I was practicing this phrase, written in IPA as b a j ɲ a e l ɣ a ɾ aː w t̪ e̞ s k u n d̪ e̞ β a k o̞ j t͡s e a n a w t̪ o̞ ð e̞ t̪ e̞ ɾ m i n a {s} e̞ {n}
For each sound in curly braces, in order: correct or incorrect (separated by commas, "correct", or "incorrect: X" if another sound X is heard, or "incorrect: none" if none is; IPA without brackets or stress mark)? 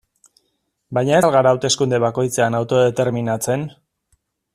incorrect: t͡s, correct